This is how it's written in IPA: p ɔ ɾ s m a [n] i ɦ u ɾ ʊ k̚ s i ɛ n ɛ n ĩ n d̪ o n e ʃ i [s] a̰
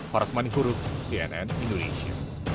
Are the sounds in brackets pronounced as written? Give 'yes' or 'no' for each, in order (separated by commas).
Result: yes, no